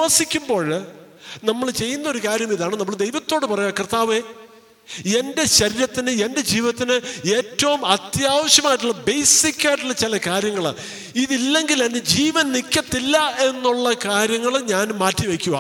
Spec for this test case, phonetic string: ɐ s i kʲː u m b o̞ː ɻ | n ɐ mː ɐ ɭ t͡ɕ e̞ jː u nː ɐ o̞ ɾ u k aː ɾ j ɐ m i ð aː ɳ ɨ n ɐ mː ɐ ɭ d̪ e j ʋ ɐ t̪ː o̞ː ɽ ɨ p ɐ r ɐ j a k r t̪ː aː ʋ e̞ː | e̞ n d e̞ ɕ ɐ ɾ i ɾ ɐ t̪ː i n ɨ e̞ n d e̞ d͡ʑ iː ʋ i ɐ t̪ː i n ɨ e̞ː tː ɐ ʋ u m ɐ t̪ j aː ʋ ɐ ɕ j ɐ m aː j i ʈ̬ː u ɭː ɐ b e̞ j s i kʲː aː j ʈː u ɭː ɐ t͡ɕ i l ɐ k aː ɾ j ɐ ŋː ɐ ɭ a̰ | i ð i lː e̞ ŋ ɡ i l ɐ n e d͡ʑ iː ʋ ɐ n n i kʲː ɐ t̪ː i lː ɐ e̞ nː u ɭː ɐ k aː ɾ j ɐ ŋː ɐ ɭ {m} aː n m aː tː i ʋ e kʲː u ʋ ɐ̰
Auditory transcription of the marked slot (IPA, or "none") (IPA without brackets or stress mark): ɲ